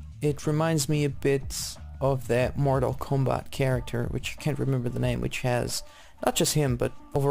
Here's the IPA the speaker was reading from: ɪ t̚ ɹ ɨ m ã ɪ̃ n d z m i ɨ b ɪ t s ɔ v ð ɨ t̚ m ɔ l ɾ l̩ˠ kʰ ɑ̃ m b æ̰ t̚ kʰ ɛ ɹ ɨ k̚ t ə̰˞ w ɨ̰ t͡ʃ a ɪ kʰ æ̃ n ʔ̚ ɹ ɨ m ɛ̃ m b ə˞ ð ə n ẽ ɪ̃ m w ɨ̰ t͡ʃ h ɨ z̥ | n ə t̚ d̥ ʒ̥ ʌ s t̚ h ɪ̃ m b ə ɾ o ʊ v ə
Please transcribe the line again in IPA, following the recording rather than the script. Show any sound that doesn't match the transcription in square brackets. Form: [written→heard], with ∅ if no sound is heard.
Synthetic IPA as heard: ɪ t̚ ɹ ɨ m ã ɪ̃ n d z m i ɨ b ɪ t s [ɔ→ʌ] v ð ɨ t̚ m ɔ [l→ɹ] ɾ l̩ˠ kʰ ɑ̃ m b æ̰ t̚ kʰ ɛ ɹ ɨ k̚ [t→tʰ] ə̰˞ w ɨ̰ t͡ʃ a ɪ kʰ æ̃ n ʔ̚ ɹ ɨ m ɛ̃ m b ə˞ ð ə n ẽ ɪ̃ m w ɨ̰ t͡ʃ h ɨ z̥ | n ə t̚ d̥ ʒ̥ ʌ s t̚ h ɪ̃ m b [ə→ʌ] ɾ o ʊ v ə